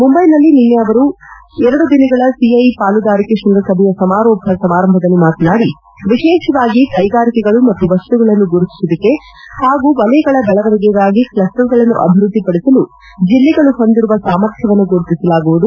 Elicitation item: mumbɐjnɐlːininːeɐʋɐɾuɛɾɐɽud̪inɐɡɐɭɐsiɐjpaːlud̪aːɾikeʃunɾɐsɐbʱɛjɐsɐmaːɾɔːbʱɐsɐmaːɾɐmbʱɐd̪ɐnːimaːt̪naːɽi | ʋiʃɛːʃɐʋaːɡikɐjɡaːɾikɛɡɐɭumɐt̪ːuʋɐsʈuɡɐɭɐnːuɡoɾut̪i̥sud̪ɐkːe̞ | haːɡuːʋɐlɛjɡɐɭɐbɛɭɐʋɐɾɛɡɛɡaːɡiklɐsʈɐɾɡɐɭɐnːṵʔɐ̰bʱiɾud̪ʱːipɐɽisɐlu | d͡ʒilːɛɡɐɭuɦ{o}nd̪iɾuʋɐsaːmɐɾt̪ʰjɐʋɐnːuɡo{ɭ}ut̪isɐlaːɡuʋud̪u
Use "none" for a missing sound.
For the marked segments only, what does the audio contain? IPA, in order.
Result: o, ɾ

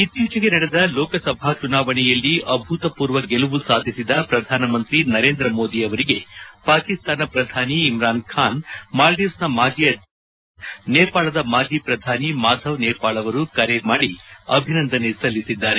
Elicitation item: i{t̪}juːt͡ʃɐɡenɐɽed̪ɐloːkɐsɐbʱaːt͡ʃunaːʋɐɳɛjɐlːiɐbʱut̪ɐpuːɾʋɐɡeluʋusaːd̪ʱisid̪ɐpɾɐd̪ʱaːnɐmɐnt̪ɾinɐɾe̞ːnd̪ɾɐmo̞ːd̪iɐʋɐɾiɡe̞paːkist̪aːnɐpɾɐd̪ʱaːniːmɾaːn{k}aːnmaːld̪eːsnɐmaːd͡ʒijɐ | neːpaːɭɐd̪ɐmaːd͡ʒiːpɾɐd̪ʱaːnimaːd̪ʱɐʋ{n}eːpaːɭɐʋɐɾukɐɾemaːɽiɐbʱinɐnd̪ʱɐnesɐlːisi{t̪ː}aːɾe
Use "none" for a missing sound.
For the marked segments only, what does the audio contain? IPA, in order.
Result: t̪, kʰ, n, d̪ː

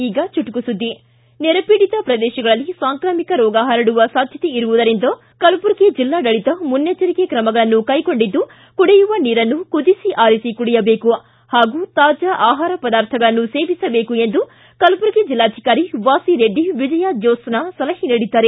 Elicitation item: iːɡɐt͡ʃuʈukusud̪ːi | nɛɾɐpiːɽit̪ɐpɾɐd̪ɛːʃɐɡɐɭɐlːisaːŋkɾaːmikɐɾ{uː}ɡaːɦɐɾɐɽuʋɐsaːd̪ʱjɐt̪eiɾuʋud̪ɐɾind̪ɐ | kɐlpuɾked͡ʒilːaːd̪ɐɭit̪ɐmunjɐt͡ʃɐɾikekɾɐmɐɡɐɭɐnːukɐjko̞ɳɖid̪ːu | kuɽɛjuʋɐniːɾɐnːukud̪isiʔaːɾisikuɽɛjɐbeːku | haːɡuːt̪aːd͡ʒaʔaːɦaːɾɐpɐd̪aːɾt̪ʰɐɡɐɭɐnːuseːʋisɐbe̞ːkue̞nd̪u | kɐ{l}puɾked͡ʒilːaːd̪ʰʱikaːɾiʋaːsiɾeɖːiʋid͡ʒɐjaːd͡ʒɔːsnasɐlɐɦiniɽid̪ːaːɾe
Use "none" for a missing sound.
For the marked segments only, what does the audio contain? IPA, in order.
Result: ɔː, l

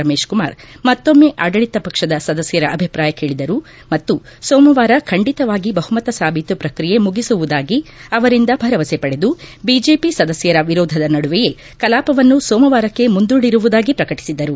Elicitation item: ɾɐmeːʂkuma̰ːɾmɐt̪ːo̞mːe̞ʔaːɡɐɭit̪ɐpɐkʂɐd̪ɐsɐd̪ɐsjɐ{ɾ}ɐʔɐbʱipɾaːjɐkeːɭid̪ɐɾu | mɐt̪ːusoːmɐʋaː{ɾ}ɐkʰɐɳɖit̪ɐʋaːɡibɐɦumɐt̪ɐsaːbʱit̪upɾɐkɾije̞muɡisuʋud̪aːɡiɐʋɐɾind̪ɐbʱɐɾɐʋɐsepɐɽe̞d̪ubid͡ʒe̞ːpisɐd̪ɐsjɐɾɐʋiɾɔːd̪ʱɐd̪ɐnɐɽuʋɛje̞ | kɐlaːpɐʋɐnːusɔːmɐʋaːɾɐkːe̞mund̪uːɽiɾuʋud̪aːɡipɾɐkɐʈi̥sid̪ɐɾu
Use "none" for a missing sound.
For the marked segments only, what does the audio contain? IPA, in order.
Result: ɾ, ɾ

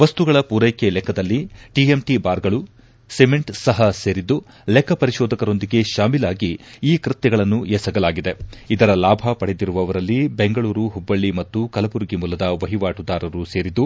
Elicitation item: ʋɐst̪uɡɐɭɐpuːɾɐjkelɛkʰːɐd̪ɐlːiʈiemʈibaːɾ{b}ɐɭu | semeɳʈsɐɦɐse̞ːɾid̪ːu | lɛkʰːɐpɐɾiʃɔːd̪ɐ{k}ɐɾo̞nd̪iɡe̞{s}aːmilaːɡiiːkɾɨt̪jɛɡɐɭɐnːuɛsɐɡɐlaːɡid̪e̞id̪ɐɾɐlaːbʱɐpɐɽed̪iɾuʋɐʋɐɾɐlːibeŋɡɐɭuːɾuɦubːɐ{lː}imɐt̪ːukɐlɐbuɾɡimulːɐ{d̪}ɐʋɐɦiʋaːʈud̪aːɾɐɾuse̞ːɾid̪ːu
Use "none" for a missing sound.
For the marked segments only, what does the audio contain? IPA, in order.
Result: ɡ, k, ʃ, ɭː, d̪

